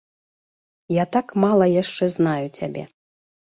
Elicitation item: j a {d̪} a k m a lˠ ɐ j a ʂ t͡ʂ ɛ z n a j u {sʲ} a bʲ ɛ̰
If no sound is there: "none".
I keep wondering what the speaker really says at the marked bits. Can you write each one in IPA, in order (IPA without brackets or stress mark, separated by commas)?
t̪, t͡sʲ